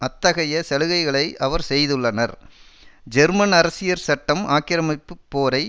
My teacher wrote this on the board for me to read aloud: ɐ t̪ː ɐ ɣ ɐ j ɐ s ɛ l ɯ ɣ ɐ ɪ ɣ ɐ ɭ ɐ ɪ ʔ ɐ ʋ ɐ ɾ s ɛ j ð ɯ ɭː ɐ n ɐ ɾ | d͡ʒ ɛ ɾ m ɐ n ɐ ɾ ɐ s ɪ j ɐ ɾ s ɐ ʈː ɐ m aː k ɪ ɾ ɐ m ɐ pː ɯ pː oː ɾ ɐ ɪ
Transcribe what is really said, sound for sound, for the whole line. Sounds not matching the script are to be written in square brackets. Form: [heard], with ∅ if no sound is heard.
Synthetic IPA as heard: ɐ t̪ː ɐ ɣ ɐ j ɐ s ɛ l ɯ ɣ ɐ ɪ ɣ ɐ ɭ ɐ ɪ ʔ ɐ ʋ ɐ ɾ s ɛ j ð ɯ ɭː ɐ n ɐ ɾ | d͡ʒ ɛ ɾ m ɐ n ɐ ɾ ɐ s ɪ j ɐ ɾ s ɐ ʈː ɐ m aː k ɪ ɾ ɐ m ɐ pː ɯ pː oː ɾ ɐ ɪ